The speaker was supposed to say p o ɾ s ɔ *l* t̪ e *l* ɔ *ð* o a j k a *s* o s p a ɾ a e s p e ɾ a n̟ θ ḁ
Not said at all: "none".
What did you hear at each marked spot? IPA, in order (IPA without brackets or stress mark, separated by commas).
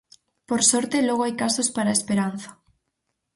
ɾ, l, ɣ, s